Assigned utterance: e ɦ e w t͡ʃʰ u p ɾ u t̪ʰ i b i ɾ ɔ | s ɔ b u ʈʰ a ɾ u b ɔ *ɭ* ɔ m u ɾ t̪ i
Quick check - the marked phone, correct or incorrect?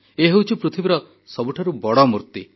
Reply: incorrect